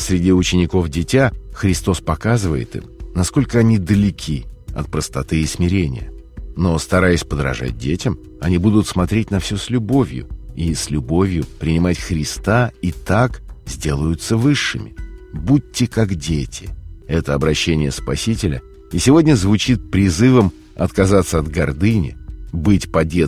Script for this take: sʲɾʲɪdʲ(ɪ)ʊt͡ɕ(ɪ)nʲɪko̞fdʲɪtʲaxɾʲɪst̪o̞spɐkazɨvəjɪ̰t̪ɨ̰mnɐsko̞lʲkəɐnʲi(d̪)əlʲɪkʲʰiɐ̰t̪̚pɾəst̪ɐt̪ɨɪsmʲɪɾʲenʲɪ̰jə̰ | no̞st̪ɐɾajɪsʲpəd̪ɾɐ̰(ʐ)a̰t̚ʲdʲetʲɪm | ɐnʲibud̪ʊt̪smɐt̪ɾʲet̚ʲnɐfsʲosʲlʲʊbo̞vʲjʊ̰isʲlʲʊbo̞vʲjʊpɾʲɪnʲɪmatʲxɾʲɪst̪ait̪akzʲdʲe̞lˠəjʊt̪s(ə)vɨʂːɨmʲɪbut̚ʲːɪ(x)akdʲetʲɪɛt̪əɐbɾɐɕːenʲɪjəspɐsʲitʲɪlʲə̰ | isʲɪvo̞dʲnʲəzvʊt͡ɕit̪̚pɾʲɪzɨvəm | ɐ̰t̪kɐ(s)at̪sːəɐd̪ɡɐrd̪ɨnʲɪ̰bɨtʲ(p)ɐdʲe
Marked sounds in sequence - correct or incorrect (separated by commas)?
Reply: incorrect, correct, correct, correct, correct, incorrect, incorrect, correct